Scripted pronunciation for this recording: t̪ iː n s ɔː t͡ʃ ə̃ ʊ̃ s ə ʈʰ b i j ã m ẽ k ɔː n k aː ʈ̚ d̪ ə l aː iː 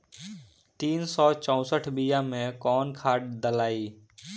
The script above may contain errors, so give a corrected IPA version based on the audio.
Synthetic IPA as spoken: t̪ iː n s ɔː t͡ʃ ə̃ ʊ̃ s ə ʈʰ b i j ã m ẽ k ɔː n kʰ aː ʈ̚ d̪ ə l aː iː